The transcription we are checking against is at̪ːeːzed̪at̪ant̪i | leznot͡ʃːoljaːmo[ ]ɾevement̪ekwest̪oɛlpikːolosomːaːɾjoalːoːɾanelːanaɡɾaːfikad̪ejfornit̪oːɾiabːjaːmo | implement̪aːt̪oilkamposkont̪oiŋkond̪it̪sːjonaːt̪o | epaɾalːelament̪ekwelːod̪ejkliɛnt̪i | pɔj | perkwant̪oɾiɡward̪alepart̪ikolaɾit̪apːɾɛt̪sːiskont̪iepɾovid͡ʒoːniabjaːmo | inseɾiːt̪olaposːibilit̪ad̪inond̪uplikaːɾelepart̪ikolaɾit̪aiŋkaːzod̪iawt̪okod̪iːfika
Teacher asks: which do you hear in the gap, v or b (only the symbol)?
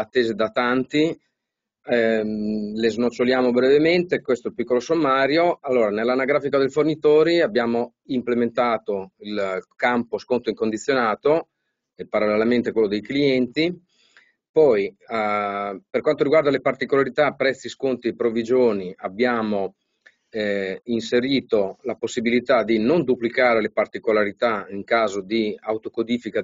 b